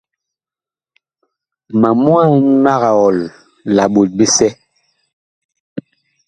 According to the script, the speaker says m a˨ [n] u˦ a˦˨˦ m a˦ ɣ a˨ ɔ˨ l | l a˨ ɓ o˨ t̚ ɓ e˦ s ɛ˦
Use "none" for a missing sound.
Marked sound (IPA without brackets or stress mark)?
m